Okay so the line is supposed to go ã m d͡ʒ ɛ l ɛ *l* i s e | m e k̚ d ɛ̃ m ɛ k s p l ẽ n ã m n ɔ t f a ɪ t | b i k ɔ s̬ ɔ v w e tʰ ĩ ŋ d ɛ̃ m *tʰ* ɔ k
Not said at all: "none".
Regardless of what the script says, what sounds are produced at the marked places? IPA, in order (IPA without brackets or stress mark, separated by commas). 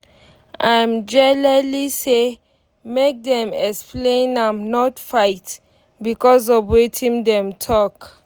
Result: l, tʰ